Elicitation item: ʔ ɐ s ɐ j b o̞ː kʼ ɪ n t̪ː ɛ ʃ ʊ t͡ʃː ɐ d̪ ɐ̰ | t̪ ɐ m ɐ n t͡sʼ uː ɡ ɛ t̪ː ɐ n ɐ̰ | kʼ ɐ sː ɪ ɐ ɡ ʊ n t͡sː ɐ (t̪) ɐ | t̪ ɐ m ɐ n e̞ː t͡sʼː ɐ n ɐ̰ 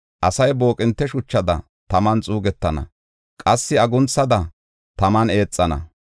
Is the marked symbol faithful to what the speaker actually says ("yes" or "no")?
no